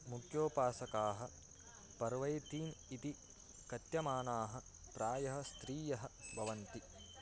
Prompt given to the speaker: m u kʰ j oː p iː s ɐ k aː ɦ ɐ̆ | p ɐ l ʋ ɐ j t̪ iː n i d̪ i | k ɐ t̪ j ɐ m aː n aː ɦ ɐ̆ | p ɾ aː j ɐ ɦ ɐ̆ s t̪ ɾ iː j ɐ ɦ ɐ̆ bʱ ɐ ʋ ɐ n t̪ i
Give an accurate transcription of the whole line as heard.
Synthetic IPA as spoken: m u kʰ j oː p aː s ɐ k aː ɦ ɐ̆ | p ɐ ɾ ʋ ɐ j t̪ iː n i t̪ i | k ɐ t̪ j ɐ m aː n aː ɦ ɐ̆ | p ɾ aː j ɐ ɦ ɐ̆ s t̪ ɾ iː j ɐ ɦ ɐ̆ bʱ ɐ ʋ ɐ n t̪ i